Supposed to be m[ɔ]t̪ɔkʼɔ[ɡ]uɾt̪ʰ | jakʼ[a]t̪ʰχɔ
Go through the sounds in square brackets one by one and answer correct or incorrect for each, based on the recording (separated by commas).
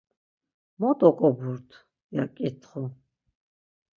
correct, incorrect, incorrect